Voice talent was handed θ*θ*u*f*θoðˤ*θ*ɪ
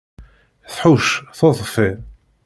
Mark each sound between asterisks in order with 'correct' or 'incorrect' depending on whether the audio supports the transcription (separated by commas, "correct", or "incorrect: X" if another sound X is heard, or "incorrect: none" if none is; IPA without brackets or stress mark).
incorrect: ħ, incorrect: ʃ, incorrect: f